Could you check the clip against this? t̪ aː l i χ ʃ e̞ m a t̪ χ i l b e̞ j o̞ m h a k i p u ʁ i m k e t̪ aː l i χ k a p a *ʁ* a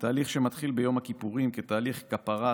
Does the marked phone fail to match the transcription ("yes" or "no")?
no